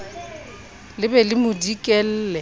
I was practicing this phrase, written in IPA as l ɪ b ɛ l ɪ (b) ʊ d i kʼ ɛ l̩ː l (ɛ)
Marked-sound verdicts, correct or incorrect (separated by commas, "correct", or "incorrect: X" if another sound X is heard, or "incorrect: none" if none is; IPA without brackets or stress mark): incorrect: m, correct